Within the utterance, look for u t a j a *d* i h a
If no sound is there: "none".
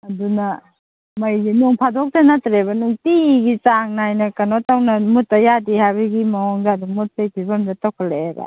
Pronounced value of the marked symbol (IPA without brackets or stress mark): d